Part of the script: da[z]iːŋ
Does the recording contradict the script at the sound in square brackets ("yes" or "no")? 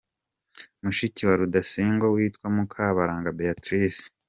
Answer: yes